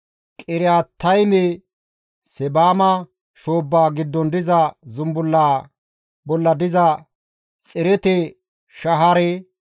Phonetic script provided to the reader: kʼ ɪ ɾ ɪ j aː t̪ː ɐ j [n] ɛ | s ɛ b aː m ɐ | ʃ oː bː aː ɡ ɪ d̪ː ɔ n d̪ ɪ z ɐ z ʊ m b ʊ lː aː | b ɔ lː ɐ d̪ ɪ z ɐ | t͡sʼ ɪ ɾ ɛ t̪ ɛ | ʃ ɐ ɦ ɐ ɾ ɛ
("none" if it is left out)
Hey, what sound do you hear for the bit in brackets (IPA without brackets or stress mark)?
m